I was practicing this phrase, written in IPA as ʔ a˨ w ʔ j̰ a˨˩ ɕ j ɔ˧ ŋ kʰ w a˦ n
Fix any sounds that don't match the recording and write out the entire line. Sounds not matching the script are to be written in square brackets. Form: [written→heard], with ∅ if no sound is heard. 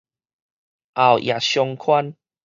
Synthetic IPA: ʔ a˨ w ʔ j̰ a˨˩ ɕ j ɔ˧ ŋ kʰ w a˦ n